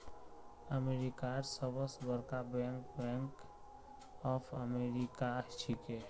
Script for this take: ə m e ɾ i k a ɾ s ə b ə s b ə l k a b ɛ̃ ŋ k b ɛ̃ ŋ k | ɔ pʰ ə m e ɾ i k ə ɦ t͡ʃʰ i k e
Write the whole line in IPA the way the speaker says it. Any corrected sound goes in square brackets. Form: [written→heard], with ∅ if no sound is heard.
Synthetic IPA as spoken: ə m e ɾ i k a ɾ s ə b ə s b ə [l→ɾ] k a b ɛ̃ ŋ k b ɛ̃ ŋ k | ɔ pʰ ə m e ɾ i k [ə→a] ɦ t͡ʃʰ i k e